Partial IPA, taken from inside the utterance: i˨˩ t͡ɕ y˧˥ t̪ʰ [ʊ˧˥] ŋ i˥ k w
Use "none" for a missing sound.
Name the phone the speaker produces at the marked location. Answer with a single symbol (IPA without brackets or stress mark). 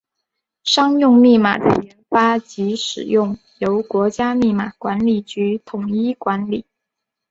ʊ˨˩